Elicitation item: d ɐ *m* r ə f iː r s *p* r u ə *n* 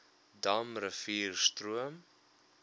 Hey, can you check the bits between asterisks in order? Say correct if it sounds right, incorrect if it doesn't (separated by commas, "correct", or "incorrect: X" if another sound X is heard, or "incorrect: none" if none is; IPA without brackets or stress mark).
correct, incorrect: t, incorrect: m